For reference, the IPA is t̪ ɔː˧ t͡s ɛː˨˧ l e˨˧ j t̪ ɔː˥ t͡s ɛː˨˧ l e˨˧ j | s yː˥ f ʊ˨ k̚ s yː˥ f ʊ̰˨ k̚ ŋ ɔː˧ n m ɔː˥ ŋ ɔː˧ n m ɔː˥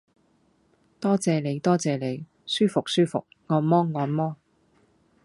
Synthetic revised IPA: t̪ ɔː˥ t͡s ɛː˨˧ l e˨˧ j t̪ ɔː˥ t͡s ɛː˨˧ l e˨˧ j | s yː˥ f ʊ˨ k̚ s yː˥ f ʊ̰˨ k̚ ŋ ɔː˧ n m ɔː˥ ŋ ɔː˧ n m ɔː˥

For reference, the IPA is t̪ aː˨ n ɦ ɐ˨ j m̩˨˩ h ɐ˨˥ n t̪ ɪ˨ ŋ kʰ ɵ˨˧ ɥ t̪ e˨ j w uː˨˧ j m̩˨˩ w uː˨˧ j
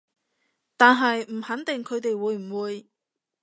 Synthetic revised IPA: t̪ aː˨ n ɦ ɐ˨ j m̩˨˩ h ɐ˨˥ n t̪ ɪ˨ ŋ kʰ ɵ˨˧ ɥ t̪ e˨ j w uː˨˧ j m̩˨˩ w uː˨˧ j

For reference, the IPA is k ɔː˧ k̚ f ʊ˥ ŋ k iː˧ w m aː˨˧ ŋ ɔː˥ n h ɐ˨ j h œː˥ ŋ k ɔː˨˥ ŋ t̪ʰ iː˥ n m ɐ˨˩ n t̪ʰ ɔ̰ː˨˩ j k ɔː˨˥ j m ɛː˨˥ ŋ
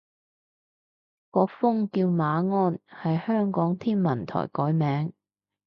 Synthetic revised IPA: k ɔː˧ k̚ f ʊ˥ ŋ k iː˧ w m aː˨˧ ŋ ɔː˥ n h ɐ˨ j h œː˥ ŋ k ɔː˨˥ ŋ t̪ʰ iː˥ n m ɐ˨˩ n t̪ʰ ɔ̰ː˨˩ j k ɔː˨˥ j m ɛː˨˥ ŋ

